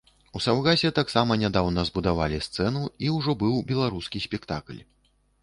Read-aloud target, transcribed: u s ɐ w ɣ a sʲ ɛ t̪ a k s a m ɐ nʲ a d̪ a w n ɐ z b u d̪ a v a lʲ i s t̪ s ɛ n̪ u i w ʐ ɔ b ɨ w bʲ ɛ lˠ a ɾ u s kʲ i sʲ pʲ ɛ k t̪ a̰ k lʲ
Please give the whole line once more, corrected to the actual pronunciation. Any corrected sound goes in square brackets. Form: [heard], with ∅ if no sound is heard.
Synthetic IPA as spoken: u s [a] w ɣ a sʲ ɛ t̪ a k s a m ɐ nʲ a d̪ a w n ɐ z b u d̪ a v a lʲ i s t̪ s ɛ n̪ u i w ʐ ɔ b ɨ w bʲ ɛ lˠ a ɾ u s kʲ i sʲ pʲ ɛ k t̪ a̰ k lʲ